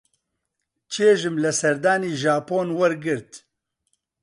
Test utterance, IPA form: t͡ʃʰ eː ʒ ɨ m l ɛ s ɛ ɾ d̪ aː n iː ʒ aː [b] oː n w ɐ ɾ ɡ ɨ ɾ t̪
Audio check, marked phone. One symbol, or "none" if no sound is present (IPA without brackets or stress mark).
p